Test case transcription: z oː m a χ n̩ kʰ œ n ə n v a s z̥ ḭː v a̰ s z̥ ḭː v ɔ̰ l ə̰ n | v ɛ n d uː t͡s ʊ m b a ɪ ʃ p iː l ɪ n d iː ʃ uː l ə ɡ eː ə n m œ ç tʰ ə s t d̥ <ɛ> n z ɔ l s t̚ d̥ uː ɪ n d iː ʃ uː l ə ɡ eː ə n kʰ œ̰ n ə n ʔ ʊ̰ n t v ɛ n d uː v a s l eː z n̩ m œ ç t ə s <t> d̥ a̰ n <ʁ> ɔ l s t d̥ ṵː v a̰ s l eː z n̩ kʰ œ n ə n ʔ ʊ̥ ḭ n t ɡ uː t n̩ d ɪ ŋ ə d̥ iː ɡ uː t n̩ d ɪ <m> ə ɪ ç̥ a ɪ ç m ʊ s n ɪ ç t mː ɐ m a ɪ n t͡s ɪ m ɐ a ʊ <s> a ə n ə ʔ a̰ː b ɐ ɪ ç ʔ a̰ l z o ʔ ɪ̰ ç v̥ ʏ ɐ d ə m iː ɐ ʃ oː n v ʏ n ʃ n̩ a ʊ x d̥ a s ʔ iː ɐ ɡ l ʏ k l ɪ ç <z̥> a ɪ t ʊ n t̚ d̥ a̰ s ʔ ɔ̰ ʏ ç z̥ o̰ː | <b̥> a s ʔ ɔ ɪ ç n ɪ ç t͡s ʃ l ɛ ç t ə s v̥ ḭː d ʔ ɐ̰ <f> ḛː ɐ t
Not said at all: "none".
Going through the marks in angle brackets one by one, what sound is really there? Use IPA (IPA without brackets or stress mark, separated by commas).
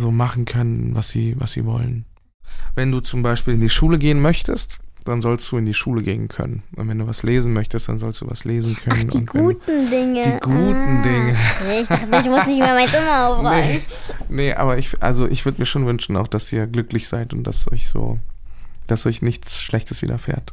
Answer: a, t, z, ŋ, f, z̥, d̥, f